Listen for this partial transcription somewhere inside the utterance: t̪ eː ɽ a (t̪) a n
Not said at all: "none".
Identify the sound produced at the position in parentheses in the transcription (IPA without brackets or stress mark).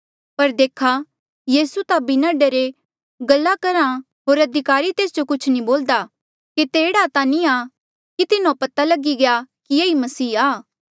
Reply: t̪